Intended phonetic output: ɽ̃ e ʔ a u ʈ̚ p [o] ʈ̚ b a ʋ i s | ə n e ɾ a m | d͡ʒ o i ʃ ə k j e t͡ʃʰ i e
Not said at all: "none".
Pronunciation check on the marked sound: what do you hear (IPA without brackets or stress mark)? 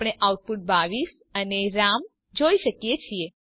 u